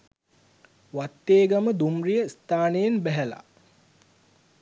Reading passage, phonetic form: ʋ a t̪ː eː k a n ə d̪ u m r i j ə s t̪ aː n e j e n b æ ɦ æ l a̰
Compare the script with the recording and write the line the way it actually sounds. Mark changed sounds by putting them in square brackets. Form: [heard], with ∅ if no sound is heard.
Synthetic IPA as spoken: ʋ a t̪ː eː [ɡ] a [m] ə d̪ u m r i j ə s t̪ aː n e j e n b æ ɦ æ l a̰